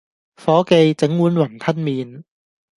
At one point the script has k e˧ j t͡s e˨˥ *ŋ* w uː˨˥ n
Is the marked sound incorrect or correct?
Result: correct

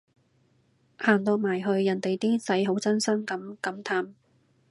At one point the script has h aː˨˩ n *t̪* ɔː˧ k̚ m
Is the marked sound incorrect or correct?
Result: correct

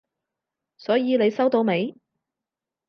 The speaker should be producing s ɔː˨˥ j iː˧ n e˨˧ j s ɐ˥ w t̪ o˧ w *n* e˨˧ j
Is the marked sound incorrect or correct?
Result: incorrect: m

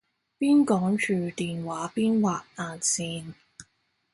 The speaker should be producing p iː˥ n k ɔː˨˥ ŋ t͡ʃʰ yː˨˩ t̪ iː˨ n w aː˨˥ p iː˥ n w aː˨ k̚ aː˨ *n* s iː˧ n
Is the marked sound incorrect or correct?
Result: correct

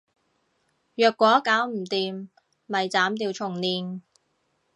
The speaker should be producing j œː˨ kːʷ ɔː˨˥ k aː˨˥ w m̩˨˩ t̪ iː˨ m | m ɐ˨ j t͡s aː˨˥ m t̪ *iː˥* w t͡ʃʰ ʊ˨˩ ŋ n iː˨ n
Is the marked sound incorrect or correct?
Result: incorrect: iː˧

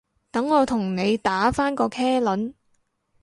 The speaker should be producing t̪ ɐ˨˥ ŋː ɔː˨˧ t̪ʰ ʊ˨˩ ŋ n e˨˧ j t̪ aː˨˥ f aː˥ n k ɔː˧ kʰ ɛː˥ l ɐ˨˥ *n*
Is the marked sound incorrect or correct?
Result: correct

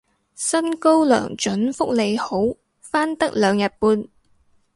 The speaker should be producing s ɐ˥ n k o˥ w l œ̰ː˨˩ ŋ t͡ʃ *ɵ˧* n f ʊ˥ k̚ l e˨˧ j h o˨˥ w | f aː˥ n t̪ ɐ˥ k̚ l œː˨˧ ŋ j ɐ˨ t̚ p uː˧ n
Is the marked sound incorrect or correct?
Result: incorrect: ɵ˨˥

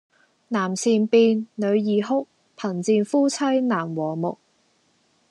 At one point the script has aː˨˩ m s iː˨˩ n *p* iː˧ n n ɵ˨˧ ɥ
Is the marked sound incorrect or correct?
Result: correct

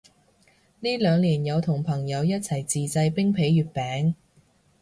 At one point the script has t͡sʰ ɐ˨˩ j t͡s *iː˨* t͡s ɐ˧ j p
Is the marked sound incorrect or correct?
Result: correct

